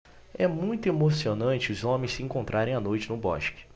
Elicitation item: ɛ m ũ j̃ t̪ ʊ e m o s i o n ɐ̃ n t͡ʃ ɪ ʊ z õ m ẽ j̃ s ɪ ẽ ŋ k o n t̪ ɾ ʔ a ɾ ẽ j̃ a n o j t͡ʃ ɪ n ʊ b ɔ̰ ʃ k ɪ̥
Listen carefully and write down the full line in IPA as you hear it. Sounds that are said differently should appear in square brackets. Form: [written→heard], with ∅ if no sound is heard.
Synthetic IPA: ɛ m ũ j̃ t̪ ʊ e m o s i o n ɐ̃ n t͡ʃ ɪ ʊ z õ m ẽ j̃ s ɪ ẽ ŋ k [o→õ] n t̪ ɾ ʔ a ɾ ẽ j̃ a n o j t͡ʃ ɪ n ʊ b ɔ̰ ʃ k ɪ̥